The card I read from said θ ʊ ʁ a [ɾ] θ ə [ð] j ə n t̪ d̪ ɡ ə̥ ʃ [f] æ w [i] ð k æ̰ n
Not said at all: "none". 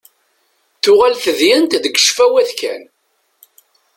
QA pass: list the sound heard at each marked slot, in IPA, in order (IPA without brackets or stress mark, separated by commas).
l, ð, f, æ